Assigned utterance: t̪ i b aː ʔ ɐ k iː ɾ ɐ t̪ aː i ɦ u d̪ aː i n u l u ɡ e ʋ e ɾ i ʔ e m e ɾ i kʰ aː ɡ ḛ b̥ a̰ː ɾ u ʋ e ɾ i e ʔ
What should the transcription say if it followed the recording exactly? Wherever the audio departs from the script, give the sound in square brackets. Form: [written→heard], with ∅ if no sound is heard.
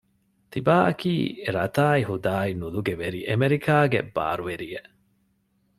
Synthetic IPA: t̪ i b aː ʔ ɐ k iː ɾ ɐ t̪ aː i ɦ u d̪ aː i n u l u ɡ e ʋ e ɾ i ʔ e m e ɾ i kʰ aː ɡ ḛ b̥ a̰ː ɾ u ʋ e ɾ i e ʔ